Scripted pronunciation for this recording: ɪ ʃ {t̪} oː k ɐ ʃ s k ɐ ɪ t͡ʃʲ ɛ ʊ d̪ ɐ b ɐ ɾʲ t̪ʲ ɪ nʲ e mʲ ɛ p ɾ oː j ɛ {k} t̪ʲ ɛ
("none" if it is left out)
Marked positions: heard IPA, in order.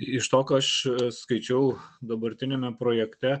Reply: t̪, k

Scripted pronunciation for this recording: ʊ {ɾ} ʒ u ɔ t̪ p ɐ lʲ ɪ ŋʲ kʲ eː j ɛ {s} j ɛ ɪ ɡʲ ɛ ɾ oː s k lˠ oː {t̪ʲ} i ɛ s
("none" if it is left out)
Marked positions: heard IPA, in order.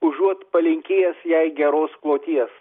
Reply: none, s, t̪ʲ

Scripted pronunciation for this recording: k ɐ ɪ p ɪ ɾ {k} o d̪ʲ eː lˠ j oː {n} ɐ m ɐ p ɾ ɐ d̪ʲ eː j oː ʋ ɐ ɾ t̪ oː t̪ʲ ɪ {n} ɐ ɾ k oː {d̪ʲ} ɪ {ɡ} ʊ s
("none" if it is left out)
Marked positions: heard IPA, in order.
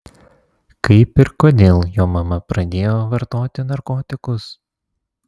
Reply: k, m, n, t̪ʲ, k

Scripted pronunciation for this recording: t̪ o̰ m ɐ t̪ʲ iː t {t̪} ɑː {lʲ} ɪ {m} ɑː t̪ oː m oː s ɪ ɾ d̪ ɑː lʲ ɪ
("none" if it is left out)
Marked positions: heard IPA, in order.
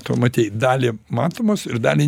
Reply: d̪, lʲ, m

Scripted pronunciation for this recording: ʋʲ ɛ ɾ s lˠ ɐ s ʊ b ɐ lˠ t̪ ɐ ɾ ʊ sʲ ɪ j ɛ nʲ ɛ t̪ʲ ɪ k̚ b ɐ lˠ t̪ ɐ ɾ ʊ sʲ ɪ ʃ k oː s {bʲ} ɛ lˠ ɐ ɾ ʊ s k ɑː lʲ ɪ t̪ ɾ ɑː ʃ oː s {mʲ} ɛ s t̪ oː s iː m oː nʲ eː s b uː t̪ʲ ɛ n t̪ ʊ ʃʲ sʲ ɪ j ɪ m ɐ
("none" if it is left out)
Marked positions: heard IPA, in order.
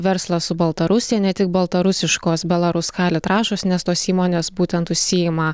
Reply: bʲ, nʲ

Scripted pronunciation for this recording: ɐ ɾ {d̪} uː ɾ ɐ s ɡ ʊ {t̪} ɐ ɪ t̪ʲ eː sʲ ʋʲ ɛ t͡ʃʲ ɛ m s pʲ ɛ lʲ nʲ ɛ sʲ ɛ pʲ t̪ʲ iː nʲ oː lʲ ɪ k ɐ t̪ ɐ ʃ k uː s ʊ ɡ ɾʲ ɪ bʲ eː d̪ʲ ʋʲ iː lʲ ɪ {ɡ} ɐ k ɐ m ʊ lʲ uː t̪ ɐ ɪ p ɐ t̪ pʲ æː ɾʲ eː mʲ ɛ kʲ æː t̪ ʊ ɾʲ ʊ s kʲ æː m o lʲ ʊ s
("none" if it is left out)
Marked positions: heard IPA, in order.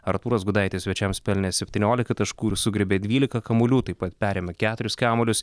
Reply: t̪, d̪, k

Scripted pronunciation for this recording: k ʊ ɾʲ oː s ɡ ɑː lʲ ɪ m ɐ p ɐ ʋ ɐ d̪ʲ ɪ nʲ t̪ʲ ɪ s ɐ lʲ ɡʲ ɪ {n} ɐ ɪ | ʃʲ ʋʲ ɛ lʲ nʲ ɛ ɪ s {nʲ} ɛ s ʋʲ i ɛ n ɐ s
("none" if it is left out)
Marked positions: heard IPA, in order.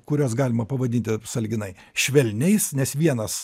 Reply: n, nʲ

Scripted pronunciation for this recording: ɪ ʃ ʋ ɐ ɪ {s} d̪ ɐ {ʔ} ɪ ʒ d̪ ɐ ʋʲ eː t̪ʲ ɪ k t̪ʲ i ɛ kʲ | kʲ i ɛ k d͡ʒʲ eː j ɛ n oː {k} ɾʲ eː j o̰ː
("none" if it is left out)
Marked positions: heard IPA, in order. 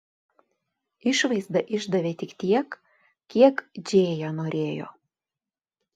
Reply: z, ʔ, none

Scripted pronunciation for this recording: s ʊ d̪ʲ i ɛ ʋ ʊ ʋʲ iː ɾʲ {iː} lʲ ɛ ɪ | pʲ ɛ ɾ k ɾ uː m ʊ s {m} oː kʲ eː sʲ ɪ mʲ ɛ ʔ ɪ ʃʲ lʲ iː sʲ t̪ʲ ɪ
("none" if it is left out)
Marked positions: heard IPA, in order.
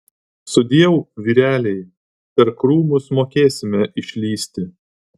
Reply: æː, m

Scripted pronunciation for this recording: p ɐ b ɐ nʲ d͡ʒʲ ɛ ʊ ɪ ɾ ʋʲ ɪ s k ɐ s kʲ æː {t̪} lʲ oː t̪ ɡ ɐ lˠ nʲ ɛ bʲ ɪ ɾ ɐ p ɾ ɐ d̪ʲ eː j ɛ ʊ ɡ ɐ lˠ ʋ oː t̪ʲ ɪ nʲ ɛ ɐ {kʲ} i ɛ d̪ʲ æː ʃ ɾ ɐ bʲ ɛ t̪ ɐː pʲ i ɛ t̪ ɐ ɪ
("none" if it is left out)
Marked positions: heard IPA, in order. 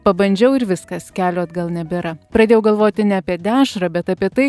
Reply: none, pʲ

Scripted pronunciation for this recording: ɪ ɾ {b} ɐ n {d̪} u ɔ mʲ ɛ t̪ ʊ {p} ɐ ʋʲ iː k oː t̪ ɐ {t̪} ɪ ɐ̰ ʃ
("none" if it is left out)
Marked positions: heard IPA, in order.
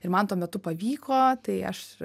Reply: m, t̪, p, none

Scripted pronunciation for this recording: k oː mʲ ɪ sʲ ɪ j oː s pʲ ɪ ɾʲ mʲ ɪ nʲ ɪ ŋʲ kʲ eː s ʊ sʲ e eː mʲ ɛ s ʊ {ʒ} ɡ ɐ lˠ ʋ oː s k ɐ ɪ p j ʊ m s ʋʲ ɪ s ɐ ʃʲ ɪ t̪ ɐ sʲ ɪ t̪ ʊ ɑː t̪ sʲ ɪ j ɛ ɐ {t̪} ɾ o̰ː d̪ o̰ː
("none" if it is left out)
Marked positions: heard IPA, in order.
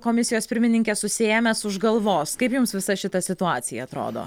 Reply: ʒ, t̪

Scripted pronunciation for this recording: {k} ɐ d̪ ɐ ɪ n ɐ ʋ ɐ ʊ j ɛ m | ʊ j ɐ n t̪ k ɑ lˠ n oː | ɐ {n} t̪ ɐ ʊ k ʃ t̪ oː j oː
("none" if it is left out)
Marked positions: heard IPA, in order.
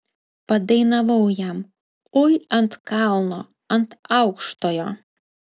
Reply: p, n

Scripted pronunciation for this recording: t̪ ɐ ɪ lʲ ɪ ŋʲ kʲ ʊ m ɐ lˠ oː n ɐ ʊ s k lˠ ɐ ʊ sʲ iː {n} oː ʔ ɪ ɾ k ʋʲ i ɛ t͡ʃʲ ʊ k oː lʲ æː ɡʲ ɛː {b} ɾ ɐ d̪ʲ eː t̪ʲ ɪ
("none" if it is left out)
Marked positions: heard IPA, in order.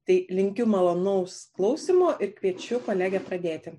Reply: m, p

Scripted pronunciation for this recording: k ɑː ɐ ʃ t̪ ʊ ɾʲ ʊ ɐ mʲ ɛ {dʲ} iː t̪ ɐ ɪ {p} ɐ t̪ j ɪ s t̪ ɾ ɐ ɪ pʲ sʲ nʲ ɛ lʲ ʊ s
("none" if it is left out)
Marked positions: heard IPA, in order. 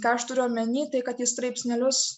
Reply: nʲ, k

